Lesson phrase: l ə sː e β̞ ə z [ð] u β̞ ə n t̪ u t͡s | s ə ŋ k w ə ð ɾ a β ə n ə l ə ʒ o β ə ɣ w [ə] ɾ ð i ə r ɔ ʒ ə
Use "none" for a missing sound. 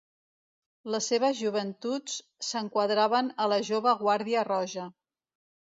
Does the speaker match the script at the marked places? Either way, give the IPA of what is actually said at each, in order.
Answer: ʒ, a

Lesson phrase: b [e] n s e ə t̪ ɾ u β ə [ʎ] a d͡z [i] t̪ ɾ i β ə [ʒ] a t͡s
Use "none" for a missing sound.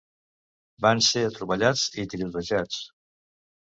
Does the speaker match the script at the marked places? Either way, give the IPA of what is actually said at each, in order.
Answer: a, ʎ, i, ʒ

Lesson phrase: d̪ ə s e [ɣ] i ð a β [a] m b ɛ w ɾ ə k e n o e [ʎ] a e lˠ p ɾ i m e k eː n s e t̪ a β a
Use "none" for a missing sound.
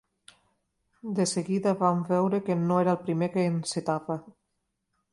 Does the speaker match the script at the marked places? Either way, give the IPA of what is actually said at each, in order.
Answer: ɣ, a, ɾ

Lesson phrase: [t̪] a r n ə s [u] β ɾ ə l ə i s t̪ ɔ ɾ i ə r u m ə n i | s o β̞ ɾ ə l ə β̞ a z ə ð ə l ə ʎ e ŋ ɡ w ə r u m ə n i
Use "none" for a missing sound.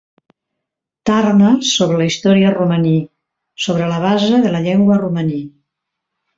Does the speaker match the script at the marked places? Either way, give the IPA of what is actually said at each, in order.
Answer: t̪, o

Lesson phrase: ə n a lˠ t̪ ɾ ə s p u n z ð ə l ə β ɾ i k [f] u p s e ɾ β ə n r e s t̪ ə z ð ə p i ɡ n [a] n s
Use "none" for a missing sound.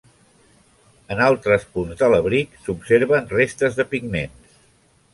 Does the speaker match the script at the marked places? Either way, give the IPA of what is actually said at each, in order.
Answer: s, e

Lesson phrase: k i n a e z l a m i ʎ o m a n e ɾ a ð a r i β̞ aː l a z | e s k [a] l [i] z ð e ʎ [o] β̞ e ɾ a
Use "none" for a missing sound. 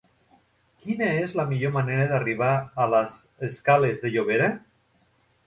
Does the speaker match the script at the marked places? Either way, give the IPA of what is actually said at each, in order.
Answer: a, e, o

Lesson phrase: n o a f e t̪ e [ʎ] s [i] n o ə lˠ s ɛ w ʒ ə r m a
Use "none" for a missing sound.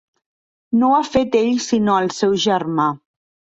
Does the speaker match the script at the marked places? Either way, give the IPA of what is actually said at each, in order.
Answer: ʎ, i

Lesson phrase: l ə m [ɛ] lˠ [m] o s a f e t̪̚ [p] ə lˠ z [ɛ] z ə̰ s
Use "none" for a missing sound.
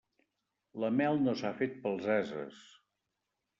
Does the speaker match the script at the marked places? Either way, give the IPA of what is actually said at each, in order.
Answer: ɛ, n, p, ɛ

